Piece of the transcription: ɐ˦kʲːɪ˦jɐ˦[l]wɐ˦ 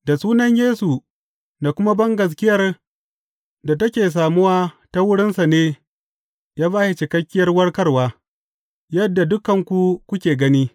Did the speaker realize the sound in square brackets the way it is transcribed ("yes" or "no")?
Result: no